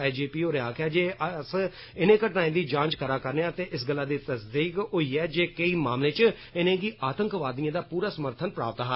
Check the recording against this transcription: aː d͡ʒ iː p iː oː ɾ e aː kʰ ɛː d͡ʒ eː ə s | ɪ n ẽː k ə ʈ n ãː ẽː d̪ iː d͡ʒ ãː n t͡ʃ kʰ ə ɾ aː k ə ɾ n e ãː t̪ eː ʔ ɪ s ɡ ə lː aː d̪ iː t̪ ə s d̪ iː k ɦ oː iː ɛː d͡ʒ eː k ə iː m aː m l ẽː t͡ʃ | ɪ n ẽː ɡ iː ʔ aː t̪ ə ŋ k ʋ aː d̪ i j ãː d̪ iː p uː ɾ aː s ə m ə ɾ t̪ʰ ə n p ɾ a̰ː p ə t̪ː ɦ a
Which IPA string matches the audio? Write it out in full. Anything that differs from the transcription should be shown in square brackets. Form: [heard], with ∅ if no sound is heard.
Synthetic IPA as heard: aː d͡ʒ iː p iː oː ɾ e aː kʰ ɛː d͡ʒ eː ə s | ɪ n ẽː k ə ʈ n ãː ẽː d̪ iː d͡ʒ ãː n t͡ʃ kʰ ə ɾ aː k ə ɾ n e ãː t̪ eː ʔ ɪ s ɡ ə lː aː d̪ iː t̪ ə s d̪ iː k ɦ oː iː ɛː d͡ʒ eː k ə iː m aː m l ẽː t͡ʃ | ɪ n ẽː ɡ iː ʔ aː t̪ ə ŋ k ʋ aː d̪ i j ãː d̪ [aː] p uː ɾ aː s ə m ə ɾ t̪ʰ ə n p ɾ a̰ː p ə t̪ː ɦ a

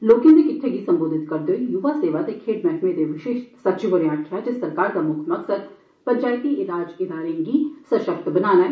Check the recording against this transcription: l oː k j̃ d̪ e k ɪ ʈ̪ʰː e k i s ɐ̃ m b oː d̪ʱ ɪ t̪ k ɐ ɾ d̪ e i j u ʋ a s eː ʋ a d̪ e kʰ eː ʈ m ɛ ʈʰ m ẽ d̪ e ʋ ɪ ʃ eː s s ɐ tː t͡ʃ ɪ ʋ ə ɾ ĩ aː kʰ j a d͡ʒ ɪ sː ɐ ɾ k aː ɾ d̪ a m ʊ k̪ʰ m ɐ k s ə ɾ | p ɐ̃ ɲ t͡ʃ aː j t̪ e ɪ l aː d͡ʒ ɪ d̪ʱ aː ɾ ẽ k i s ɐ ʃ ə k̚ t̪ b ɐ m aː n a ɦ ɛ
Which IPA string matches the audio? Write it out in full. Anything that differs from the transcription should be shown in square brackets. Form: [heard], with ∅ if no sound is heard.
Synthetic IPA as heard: l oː k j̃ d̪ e k ɪ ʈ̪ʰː e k i s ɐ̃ m b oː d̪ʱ ɪ t̪ k ɐ ɾ d̪ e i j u ʋ a s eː ʋ a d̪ e kʰ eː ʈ m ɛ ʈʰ m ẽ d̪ e ʋ ɪ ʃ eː [ʃ] s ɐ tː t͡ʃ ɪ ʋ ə ɾ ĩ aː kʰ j a d͡ʒ ɪ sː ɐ ɾ k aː ɾ d̪ a m ʊ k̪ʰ m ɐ k s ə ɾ | p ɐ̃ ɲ t͡ʃ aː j t̪ [i] ɪ l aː d͡ʒ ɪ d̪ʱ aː ɾ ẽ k i s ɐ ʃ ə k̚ t̪ b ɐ [n] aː n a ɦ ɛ

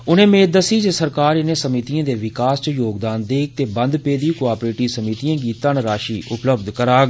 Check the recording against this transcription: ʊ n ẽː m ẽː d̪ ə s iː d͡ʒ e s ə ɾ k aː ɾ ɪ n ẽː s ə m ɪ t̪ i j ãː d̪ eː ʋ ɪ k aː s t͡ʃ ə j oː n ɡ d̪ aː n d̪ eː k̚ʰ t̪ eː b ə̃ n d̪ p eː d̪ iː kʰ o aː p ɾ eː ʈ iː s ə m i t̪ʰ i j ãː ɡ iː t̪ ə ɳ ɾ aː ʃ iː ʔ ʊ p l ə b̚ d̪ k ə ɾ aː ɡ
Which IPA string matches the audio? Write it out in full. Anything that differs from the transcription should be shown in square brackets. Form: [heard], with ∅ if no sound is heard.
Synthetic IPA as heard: ʊ n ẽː m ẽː d̪ ə s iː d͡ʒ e s ə ɾ k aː ɾ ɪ n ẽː s ə m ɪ t̪ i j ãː d̪ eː ʋ ɪ k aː s t͡ʃ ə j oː [∅] ɡ d̪ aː n d̪ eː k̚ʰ t̪ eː b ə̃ n d̪ p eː d̪ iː [k] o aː p ɾ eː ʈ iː s ə m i [t̪] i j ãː ɡ iː t̪ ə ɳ ɾ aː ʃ iː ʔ ʊ p l ə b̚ d̪ k ə ɾ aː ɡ

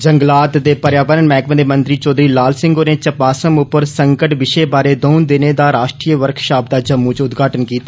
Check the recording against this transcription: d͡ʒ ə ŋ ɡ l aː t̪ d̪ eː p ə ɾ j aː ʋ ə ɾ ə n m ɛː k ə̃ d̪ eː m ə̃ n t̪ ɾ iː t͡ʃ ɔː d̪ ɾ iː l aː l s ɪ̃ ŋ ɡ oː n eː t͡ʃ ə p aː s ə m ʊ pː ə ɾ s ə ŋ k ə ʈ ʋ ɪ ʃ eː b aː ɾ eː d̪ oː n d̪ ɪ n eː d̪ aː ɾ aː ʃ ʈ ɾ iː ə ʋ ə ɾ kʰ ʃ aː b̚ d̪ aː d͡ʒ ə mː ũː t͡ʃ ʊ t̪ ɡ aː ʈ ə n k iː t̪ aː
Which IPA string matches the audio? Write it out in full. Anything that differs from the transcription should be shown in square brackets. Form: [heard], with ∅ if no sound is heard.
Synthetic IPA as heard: d͡ʒ ə ŋ ɡ l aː t̪ d̪ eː p ə ɾ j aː ʋ ə ɾ ə n m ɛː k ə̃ d̪ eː m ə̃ n t̪ ɾ iː t͡ʃ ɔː d̪ ɾ iː l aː l s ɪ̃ ŋ ɡ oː n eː t͡ʃ ə p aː s ə m ʊ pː ə ɾ s ə ŋ k ə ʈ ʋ ɪ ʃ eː b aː ɾ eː d̪ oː n d̪ ɪ n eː d̪ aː ɾ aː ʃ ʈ ɾ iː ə ʋ ə ɾ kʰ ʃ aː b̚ d̪ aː d͡ʒ ə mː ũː t͡ʃ ʊ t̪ ɡ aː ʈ ə n k iː t̪ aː

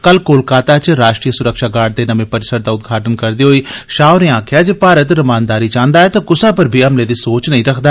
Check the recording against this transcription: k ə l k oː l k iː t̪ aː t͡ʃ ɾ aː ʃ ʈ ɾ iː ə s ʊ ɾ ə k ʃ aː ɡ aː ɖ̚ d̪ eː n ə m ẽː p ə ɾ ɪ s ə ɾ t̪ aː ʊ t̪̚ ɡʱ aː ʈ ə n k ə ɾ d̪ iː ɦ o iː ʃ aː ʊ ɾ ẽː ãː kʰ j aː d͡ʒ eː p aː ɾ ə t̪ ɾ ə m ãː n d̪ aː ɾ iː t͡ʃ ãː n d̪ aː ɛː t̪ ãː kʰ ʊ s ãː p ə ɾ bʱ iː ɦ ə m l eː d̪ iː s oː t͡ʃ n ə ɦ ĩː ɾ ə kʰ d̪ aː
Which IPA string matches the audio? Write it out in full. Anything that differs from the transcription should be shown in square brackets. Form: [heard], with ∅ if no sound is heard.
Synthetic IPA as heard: k ə l k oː l k [aː] t̪ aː t͡ʃ ɾ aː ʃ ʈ ɾ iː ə s ʊ ɾ ə k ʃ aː ɡ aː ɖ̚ d̪ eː n ə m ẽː p ə ɾ ɪ s ə ɾ [d̪] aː ʊ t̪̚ ɡʱ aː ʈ ə n k ə ɾ d̪ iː ɦ o iː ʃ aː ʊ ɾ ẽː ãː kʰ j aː d͡ʒ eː p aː ɾ ə t̪ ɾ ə m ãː n d̪ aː ɾ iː t͡ʃ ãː n d̪ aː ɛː t̪ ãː [k] ʊ s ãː p ə ɾ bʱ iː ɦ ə m l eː d̪ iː s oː t͡ʃ n ə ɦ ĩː ɾ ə kʰ d̪ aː

